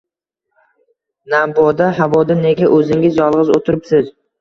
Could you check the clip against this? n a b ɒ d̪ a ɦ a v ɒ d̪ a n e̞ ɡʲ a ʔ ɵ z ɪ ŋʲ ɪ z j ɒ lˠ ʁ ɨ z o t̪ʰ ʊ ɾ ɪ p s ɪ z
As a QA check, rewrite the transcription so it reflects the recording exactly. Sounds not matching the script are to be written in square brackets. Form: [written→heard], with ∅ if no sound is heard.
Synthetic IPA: n a b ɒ d̪ a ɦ a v ɒ d̪ a n e̞ ɡʲ a ʔ ɵ z ɪ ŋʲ ɪ z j ɒ lˠ ʁ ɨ z o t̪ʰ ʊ ɾ ɪ p s ɪ z